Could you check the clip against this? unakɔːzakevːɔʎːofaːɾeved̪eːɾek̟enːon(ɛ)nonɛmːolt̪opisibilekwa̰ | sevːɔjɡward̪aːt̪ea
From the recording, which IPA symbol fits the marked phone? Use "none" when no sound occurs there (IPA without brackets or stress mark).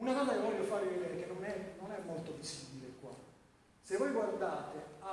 ɛ